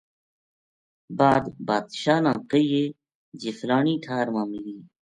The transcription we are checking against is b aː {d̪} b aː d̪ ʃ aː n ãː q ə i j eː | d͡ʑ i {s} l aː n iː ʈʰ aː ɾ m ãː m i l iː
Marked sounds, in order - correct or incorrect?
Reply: correct, incorrect: f

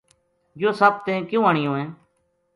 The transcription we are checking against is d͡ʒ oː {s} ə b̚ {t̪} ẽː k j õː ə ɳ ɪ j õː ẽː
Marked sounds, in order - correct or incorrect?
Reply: correct, correct

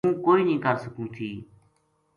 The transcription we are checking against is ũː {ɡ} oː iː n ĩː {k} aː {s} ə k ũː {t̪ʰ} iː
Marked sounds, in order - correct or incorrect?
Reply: incorrect: k, correct, correct, correct

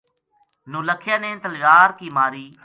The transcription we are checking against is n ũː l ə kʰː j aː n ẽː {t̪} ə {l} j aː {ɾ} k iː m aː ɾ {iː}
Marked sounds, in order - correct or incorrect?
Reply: correct, correct, correct, correct

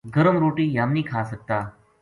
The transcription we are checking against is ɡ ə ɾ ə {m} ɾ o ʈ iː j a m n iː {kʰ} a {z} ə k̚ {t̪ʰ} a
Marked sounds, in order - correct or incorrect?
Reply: correct, correct, incorrect: s, incorrect: t̪

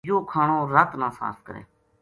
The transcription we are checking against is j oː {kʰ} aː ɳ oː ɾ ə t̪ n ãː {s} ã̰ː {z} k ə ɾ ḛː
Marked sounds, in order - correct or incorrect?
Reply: correct, correct, incorrect: s

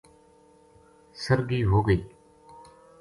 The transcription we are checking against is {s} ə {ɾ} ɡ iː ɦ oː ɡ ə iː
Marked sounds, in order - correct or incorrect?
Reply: correct, correct

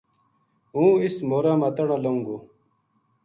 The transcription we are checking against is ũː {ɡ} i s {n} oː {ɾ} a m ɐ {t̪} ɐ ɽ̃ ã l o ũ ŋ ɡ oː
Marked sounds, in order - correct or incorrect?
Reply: incorrect: none, incorrect: m, correct, correct

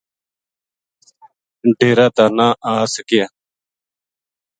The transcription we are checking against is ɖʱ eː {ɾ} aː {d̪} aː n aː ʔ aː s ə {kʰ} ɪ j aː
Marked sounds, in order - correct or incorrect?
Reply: correct, incorrect: t̪, incorrect: k

